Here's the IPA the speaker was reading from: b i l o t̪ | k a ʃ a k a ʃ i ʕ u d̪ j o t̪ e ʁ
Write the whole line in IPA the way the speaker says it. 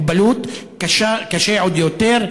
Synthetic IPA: b a l u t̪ | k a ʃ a k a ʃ e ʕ o d̪ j o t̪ e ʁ